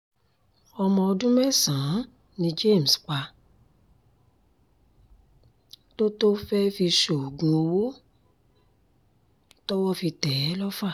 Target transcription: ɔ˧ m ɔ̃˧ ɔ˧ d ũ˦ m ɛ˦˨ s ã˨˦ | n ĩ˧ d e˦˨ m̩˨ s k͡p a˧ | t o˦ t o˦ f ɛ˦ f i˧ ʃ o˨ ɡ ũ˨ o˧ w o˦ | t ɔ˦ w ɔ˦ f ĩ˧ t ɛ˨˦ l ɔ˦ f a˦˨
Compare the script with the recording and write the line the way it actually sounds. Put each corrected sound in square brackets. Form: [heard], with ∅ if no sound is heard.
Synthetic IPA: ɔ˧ m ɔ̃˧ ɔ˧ d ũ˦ m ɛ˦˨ s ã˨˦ | n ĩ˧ [d͡ʒ] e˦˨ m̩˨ s k͡p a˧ | t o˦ t o˦ f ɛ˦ f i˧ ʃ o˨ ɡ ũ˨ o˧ w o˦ | t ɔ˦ w ɔ˦ f [i˧] t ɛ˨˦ l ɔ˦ f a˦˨